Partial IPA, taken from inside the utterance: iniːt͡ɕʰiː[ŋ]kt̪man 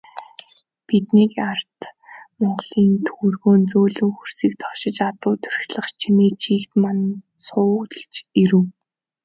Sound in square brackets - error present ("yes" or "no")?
yes